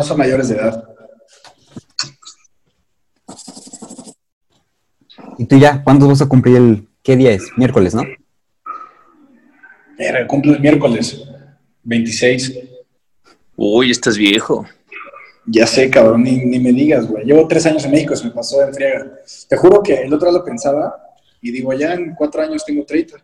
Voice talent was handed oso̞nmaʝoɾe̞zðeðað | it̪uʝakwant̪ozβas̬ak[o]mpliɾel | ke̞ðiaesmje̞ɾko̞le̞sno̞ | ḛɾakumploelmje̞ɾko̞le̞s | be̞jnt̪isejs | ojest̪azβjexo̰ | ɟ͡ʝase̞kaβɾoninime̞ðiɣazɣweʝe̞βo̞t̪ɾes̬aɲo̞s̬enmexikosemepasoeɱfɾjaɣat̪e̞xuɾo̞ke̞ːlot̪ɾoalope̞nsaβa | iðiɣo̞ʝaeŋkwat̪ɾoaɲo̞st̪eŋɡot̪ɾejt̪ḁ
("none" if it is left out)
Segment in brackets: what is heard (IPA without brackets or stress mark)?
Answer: u